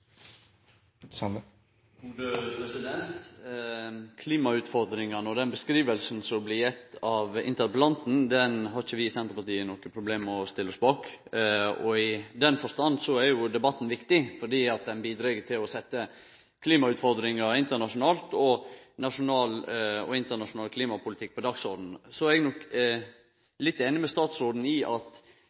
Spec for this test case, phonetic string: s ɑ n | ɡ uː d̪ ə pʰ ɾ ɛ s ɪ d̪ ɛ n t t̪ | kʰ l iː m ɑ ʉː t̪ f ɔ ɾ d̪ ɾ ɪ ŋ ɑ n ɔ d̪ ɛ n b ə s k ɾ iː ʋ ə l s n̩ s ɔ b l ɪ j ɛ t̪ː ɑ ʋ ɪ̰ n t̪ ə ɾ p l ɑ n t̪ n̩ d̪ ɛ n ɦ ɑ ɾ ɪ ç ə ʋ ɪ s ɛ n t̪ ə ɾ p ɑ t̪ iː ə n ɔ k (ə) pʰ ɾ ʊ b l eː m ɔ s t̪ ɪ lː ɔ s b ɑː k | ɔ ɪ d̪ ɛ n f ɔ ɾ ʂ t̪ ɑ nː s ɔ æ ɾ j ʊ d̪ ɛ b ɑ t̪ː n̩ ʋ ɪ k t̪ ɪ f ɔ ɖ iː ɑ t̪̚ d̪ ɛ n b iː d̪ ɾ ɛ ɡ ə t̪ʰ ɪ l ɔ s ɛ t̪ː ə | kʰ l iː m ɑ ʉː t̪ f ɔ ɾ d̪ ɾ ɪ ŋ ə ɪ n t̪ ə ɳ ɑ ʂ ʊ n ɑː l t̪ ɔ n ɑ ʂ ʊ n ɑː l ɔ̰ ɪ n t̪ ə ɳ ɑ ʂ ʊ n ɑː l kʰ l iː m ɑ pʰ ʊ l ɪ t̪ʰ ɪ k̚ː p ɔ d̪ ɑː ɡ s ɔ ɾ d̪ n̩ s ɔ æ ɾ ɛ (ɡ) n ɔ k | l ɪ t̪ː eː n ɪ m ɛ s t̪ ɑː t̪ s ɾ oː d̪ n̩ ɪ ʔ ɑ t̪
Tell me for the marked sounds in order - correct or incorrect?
correct, correct

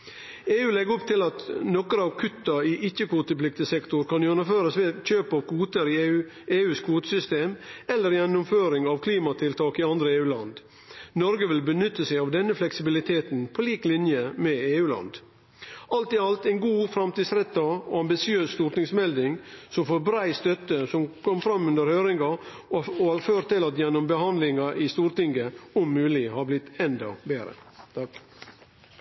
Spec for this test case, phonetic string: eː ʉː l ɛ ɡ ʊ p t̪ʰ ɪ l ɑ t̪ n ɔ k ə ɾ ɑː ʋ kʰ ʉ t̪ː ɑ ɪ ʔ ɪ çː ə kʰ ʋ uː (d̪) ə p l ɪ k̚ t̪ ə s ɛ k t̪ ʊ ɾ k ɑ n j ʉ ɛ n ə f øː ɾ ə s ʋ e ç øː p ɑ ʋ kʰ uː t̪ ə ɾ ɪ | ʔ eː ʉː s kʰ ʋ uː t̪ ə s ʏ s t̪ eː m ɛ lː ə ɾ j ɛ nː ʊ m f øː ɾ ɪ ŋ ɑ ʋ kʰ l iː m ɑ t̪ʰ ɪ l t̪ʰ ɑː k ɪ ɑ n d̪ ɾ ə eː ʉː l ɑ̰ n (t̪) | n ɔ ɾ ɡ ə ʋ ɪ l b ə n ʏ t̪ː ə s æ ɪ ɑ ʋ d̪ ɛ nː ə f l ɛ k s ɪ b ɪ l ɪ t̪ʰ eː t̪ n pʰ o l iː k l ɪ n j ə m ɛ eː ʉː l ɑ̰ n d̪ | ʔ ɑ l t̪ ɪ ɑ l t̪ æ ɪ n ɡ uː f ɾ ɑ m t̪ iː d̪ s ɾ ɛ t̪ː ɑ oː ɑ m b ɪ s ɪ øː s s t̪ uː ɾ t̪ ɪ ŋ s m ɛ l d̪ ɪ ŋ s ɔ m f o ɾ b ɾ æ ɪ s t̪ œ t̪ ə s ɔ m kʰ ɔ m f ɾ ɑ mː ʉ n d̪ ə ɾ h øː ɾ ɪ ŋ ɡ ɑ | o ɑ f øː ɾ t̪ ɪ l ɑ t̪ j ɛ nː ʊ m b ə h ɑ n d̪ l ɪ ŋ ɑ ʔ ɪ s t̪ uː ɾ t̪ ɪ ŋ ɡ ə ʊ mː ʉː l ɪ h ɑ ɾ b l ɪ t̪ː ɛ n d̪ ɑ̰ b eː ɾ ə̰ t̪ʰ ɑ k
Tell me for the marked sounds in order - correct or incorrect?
incorrect: t̪, incorrect: d̪

